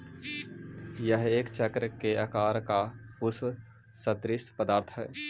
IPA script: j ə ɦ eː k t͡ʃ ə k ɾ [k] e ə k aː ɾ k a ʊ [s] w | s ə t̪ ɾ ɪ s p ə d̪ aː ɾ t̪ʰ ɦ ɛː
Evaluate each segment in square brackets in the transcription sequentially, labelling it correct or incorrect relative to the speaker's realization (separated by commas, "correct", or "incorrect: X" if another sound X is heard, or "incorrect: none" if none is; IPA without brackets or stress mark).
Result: correct, correct